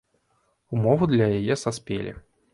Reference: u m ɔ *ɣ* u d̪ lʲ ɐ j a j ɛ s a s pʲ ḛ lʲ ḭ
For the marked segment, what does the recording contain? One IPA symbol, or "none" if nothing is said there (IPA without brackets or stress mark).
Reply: v